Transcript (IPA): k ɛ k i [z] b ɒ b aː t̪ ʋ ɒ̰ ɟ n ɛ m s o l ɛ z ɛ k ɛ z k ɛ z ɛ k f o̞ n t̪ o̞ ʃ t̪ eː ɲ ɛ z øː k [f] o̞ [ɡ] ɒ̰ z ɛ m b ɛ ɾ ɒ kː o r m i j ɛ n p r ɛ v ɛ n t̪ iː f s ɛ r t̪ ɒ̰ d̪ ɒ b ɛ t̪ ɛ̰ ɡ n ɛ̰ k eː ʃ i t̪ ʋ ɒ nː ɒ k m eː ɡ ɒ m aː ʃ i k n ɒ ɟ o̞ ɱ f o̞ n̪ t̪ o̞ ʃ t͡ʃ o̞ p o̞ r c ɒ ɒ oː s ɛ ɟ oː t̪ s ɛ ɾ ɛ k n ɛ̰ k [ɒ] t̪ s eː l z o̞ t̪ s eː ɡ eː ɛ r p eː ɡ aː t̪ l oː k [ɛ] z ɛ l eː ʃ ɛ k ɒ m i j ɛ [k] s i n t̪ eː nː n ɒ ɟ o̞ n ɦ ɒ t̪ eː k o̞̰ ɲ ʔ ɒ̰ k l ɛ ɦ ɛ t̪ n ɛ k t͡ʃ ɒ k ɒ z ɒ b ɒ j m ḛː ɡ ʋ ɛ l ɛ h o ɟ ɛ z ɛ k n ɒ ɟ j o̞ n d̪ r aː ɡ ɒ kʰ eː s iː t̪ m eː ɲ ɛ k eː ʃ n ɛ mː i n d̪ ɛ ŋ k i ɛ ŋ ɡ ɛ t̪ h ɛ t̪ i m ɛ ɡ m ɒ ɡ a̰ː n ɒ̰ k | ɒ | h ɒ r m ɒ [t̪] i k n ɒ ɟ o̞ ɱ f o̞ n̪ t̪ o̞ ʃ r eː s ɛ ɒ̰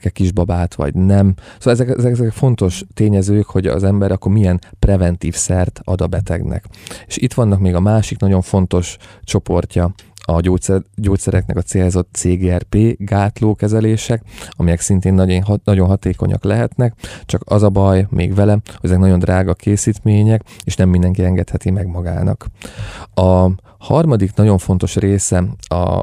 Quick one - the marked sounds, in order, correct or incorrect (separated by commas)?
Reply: incorrect, incorrect, incorrect, correct, correct, correct, incorrect